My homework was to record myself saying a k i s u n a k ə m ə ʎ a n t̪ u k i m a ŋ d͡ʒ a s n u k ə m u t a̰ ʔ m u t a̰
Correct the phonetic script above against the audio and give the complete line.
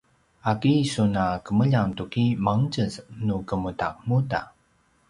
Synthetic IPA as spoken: a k i s u n a k ə m ə ʎ a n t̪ u k i m a ŋ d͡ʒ ə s n u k ə m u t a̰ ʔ m u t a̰